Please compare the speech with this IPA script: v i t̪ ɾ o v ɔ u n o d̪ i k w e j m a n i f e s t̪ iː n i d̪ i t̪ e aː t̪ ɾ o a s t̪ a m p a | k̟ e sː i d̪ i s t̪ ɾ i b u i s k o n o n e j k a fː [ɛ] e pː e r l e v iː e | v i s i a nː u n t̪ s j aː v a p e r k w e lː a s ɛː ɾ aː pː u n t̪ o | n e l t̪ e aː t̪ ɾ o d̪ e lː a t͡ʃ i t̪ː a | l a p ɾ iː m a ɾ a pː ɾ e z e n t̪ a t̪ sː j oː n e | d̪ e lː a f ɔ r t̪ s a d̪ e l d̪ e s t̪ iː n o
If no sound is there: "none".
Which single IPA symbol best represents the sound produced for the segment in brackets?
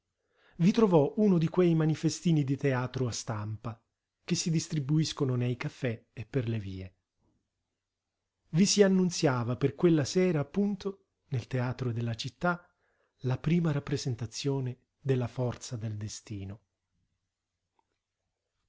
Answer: ɛ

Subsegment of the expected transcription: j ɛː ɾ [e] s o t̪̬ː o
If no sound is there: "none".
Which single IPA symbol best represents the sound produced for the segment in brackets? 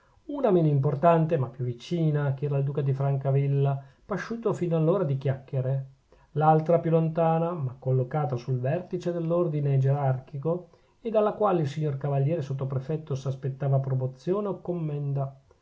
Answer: e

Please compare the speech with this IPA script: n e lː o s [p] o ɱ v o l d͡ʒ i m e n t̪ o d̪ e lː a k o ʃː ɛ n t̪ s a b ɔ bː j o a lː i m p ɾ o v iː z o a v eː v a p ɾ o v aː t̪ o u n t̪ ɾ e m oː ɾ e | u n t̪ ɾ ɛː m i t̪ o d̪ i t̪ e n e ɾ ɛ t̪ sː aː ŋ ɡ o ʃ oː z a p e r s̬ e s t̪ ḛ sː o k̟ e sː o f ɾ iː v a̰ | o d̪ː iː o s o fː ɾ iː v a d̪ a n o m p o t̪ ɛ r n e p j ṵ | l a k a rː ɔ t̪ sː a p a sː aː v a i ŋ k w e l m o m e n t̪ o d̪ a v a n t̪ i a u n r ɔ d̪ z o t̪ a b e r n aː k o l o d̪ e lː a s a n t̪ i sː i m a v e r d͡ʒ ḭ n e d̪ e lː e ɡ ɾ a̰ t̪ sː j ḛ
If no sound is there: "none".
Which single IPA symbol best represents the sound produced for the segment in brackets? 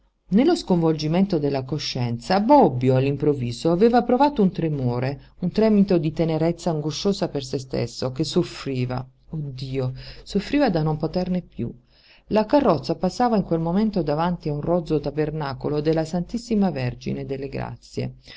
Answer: k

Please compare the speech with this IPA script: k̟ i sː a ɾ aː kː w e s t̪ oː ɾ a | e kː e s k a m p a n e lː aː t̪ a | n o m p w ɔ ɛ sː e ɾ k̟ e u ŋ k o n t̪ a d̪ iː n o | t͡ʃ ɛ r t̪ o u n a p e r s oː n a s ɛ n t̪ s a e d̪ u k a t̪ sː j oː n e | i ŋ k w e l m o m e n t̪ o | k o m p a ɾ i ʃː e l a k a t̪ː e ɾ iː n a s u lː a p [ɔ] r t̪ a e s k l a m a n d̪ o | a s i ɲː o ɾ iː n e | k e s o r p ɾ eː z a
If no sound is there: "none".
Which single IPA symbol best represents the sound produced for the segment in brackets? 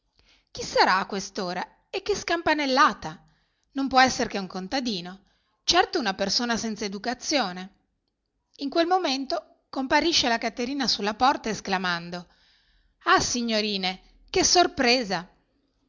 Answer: ɔ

